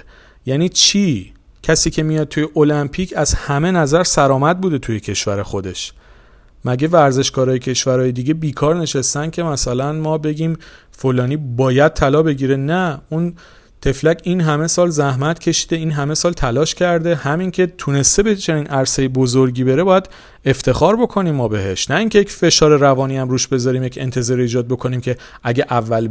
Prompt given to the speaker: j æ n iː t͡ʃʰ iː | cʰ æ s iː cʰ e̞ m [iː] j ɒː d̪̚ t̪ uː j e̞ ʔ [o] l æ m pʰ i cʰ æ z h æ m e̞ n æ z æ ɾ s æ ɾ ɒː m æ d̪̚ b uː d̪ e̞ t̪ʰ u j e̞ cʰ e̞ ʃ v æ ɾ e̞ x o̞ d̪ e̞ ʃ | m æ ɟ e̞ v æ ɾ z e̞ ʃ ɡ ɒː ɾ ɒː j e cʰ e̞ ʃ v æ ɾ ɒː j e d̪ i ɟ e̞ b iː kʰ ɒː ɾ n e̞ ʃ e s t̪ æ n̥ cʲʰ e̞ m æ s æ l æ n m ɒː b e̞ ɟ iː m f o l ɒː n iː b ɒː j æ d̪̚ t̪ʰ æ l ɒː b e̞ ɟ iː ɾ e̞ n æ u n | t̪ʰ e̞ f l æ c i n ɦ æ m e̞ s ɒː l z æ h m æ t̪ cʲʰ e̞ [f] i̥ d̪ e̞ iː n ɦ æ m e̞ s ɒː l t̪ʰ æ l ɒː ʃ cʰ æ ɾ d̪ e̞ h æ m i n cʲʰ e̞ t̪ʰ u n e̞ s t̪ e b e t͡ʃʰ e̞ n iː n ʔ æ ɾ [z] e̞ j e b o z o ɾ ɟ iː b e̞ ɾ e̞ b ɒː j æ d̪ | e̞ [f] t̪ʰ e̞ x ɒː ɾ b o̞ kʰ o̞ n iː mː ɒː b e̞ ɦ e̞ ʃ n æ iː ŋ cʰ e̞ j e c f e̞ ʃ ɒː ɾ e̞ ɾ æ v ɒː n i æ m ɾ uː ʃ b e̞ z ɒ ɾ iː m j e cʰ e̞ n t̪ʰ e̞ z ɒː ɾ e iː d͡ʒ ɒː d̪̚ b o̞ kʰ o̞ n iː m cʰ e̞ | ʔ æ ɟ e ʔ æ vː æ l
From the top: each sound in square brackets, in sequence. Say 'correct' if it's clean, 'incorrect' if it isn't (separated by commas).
incorrect, correct, incorrect, incorrect, correct